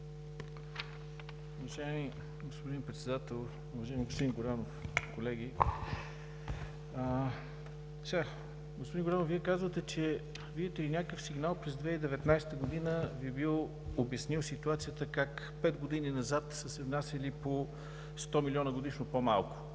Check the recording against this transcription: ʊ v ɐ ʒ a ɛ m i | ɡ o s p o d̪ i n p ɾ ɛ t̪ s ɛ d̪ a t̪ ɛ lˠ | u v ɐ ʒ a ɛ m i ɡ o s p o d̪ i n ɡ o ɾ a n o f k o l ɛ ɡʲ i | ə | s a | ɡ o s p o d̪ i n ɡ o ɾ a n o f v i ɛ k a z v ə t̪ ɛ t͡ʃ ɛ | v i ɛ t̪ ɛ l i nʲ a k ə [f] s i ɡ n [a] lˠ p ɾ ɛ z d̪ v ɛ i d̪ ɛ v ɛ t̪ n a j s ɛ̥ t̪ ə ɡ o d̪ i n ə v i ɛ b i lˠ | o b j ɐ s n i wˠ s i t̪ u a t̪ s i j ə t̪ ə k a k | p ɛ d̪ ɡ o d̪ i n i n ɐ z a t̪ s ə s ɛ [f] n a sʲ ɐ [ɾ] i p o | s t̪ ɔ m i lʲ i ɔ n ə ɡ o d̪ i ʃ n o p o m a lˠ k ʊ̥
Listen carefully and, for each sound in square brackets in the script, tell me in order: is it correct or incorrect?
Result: correct, correct, incorrect, incorrect

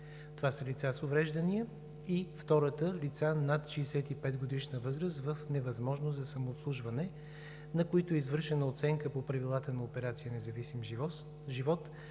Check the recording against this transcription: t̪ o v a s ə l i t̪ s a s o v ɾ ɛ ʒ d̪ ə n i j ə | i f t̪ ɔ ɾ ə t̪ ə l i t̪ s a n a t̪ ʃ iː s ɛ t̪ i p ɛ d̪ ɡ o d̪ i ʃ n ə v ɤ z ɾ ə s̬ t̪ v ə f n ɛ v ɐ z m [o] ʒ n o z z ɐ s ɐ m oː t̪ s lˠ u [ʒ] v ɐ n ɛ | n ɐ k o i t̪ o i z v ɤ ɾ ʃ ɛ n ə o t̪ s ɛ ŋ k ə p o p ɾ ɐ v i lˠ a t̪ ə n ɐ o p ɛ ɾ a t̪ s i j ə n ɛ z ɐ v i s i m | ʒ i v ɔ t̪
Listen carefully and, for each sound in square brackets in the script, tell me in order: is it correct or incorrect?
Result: incorrect, correct

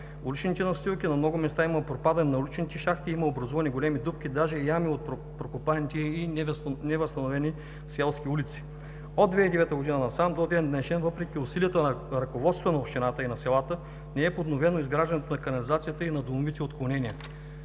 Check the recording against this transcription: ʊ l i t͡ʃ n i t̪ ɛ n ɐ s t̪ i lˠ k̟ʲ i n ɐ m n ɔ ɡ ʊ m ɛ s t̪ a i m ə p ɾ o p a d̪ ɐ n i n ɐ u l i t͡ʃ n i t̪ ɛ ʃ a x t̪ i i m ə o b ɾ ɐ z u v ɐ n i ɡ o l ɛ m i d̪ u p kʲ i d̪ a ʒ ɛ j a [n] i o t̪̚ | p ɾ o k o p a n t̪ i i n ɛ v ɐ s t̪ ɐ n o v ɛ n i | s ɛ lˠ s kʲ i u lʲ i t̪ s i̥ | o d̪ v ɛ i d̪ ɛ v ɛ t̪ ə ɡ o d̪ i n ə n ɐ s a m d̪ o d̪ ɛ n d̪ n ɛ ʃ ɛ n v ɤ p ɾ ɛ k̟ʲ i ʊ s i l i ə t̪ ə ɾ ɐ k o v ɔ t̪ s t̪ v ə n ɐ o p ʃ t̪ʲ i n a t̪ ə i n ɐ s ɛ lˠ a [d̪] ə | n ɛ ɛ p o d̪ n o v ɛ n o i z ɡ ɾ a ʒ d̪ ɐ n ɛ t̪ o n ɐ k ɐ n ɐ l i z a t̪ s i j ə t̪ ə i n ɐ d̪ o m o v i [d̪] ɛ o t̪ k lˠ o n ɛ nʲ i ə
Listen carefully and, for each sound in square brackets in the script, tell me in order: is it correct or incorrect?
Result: incorrect, incorrect, incorrect

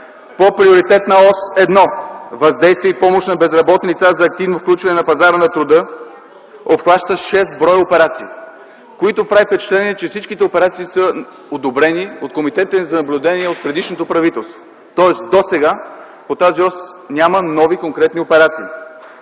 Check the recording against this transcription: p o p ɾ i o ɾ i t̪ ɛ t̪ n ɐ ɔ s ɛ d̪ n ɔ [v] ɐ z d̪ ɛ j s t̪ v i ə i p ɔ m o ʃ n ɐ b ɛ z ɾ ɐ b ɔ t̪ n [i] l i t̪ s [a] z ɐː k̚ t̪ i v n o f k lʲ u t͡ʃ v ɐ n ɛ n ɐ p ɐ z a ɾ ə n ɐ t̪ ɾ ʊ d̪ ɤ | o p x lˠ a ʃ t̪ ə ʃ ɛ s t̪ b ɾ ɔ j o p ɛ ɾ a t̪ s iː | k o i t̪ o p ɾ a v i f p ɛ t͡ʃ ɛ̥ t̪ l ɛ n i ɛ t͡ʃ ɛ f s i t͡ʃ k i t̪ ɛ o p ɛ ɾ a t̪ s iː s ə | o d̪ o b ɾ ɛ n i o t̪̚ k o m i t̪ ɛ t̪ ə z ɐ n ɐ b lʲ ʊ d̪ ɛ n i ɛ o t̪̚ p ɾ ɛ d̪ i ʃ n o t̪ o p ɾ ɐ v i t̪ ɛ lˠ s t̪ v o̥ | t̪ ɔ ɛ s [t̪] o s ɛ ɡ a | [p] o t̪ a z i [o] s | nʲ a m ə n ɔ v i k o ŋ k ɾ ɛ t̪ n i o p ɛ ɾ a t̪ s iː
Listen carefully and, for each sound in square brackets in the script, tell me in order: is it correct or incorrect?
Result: correct, correct, correct, incorrect, correct, incorrect

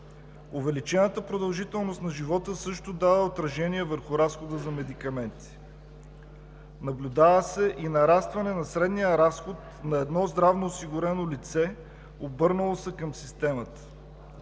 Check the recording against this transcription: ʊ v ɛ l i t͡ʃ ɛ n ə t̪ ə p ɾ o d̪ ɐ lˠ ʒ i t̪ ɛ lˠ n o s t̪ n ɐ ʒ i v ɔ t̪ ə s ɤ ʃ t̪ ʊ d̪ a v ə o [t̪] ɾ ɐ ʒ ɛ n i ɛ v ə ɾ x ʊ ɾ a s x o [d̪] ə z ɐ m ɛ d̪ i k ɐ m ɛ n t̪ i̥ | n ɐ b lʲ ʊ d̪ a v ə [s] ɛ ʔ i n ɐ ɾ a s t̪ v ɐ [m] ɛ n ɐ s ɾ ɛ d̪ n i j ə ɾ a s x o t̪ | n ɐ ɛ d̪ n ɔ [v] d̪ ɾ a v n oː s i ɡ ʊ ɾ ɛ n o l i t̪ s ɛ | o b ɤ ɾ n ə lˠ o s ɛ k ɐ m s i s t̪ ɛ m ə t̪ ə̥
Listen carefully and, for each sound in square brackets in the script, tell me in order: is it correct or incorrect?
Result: correct, correct, correct, incorrect, incorrect

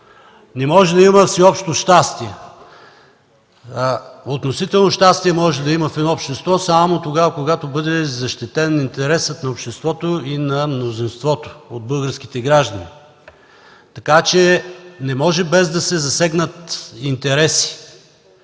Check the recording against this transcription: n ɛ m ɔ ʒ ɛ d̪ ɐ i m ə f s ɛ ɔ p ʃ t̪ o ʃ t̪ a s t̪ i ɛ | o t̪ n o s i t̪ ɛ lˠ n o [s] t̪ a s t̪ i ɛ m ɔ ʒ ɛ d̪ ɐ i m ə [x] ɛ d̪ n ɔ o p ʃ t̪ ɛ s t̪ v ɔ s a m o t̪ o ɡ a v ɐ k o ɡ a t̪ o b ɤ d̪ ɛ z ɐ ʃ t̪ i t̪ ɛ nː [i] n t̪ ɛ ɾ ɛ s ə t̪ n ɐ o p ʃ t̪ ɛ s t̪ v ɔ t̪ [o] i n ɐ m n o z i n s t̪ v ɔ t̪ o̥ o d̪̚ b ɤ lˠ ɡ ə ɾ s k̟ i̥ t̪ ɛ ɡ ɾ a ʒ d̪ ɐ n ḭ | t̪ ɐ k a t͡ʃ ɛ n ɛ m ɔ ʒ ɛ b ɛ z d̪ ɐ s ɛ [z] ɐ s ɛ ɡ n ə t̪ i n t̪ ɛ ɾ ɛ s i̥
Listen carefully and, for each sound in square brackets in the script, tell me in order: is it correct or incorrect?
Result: incorrect, incorrect, correct, correct, correct

